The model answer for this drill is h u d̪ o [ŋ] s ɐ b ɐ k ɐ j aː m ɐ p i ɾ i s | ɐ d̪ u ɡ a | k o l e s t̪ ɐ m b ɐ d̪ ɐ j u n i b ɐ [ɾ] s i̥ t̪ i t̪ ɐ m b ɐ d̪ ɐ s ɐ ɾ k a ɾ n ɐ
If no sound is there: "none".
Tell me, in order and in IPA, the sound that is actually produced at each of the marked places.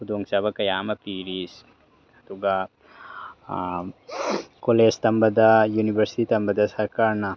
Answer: ŋ, ɾ

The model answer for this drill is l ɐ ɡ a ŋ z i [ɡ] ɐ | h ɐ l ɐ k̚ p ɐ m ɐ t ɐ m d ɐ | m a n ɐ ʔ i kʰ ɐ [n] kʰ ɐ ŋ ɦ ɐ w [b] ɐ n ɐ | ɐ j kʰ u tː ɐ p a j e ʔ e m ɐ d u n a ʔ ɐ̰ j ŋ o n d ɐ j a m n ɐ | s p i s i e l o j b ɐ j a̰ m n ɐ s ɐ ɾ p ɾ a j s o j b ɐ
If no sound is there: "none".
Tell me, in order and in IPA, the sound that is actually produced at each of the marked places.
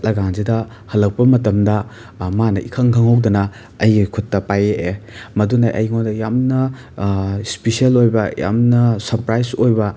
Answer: d, ŋ, d

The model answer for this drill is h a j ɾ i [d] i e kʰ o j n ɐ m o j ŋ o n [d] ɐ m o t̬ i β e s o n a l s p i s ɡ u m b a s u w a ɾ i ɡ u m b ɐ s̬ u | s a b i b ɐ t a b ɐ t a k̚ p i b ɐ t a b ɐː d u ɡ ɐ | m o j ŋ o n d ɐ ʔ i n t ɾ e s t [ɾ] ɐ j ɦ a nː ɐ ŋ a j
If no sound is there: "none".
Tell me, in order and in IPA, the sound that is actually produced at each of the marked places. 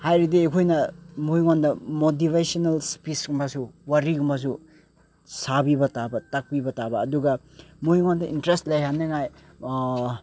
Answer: d, d, l

